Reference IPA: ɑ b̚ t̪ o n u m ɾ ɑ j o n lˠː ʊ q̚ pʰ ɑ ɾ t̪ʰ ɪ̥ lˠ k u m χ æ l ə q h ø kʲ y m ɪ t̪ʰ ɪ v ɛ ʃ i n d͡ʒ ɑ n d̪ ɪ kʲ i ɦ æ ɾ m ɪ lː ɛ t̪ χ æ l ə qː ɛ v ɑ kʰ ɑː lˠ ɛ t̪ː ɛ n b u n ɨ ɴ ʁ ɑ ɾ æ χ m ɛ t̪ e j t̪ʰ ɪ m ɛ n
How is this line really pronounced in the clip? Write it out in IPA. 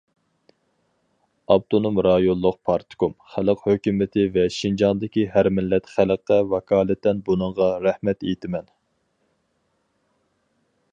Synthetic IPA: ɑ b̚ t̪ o n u m ɾ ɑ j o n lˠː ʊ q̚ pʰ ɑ ɾ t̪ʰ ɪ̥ k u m χ æ l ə q h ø kʲ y m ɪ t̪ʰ ɪ v ɛ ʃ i n d͡ʒ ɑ n d̪ ɪ kʲ i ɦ æ ɾ m ɪ lː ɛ t̪ χ æ l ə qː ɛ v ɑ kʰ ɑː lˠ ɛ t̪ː ɛ n b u n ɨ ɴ ʁ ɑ ɾ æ h m ɛ t̪ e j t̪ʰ ɪ m ɛ n